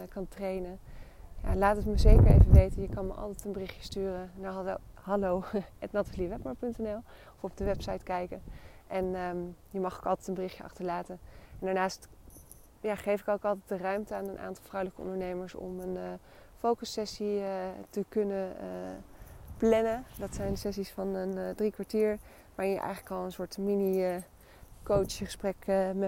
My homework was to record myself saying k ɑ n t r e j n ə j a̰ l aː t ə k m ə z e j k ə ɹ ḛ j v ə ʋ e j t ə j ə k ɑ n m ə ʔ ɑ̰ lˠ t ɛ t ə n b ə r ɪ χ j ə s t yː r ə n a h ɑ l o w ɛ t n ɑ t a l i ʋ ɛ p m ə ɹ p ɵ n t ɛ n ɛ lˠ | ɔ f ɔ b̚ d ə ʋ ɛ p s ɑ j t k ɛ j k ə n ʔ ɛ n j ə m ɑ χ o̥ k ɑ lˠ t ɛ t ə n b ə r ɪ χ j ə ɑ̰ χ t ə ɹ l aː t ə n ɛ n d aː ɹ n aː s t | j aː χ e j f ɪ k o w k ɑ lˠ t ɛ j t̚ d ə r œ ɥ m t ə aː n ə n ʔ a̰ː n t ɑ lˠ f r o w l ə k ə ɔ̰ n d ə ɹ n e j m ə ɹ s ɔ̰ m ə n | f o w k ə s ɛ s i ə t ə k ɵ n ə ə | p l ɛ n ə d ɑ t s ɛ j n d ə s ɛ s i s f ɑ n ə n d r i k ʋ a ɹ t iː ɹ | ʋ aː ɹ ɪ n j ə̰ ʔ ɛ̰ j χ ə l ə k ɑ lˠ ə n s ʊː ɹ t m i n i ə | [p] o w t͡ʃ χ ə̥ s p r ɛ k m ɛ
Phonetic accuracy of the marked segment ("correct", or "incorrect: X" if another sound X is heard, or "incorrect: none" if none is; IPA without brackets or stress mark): incorrect: k